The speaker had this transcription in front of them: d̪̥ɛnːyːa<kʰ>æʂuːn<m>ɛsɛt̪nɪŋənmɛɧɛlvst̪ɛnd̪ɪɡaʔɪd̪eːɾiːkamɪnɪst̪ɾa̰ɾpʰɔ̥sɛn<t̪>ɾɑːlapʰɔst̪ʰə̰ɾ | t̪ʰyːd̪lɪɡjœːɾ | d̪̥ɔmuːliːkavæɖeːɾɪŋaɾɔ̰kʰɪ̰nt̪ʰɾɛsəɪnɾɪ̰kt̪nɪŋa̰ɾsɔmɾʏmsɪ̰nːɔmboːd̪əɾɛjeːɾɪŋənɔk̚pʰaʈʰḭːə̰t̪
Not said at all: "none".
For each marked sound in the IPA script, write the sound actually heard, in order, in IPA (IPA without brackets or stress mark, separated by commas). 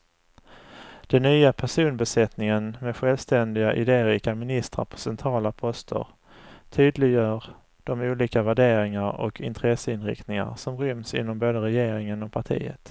pʰ, b, t̪ʰ